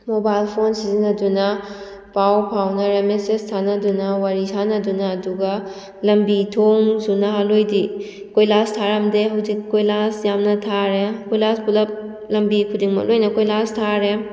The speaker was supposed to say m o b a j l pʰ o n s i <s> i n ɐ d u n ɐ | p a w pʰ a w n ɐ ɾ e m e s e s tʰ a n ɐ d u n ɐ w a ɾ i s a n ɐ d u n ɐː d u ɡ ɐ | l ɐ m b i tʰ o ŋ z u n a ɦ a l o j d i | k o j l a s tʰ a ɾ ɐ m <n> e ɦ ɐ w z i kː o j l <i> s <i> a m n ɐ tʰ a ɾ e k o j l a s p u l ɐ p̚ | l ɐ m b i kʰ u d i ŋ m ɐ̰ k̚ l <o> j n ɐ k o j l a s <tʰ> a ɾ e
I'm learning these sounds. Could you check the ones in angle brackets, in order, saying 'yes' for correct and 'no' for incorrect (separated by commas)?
no, no, no, no, yes, yes